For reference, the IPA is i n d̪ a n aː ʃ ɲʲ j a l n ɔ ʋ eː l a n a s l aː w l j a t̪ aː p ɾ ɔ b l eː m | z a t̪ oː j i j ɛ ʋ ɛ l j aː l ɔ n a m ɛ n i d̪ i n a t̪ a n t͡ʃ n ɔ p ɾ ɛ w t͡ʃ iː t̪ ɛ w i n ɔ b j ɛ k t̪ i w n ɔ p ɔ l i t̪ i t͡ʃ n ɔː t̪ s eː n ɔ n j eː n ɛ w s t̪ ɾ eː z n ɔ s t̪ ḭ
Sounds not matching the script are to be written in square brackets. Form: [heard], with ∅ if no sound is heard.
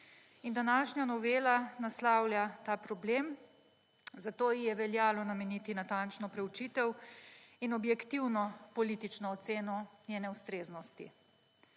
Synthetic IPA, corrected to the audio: i n d̪ a n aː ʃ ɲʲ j a [∅] n ɔ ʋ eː l a n a s l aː w l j a t̪ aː p ɾ ɔ b l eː m | z a t̪ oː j i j ɛ ʋ ɛ l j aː l ɔ n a m ɛ n i [t̪] i n a t̪ a n t͡ʃ n ɔ p ɾ ɛ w t͡ʃ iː t̪ ɛ w i n ɔ b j ɛ k t̪ i w n ɔ p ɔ l i t̪ i t͡ʃ n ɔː t̪ s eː n ɔ n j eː n ɛ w s t̪ ɾ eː z n ɔ s t̪ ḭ

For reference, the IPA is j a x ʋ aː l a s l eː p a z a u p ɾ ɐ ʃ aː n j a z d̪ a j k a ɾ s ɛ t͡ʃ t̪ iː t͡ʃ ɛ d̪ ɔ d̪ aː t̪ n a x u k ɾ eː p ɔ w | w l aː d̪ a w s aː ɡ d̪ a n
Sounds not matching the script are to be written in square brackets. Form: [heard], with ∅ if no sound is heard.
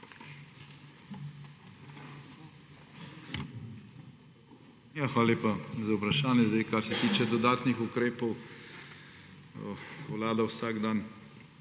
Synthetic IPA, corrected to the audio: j a x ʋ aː l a [∅] l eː p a z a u p ɾ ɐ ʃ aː n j [ɛ] z d̪ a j k a ɾ s ɛ [∅] t̪ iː t͡ʃ ɛ d̪ ɔ d̪ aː t̪ n [i] x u k ɾ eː p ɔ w | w l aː d̪ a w s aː ɡ d̪ a n

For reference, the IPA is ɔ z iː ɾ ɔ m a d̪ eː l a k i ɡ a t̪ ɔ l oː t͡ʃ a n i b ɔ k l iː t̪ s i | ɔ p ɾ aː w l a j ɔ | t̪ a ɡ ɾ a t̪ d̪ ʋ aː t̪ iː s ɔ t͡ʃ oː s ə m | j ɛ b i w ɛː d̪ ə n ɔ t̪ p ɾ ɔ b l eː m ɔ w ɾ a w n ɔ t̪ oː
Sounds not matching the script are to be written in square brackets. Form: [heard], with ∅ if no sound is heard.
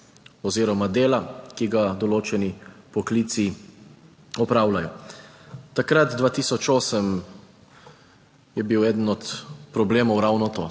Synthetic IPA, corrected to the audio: ɔ z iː ɾ ɔ m a d̪ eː l a k i ɡ a [d̪] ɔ l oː t͡ʃ [ɛ] n i [p] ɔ k l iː t̪ s i | ɔ p ɾ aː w l a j ɔ | t̪ a [k] ɾ a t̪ d̪ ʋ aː t̪ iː s ɔ t͡ʃ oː s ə m | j ɛ b i w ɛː d̪ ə n ɔ t̪ p ɾ ɔ b l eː m ɔ w ɾ a w n ɔ t̪ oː

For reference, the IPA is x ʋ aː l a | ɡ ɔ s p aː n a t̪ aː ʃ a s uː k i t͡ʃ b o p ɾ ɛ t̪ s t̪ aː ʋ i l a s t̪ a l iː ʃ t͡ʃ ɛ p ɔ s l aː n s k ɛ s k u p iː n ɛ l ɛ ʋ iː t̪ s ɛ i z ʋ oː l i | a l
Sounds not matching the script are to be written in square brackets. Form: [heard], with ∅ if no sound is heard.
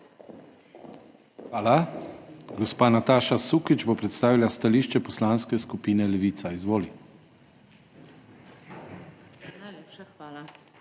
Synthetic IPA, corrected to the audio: x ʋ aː l a | ɡ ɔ s p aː n a t̪ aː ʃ a s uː k i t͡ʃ b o p ɾ ɛ t̪ s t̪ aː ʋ i l a s t̪ a l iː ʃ t͡ʃ ɛ p ɔ s l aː n s k ɛ s k u p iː n ɛ l ɛ ʋ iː t̪ s [a] i z ʋ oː l i | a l

